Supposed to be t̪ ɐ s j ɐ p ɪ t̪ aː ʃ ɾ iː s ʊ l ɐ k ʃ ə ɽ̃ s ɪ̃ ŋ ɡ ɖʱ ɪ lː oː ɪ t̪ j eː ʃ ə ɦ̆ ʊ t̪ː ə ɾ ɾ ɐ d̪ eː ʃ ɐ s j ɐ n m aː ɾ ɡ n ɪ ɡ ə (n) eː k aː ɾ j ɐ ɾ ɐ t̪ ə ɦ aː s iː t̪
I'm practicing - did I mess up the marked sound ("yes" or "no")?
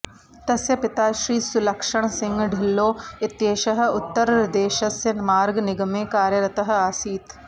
yes